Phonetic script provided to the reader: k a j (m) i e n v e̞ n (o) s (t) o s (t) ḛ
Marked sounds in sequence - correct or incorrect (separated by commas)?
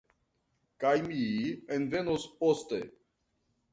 correct, correct, incorrect, correct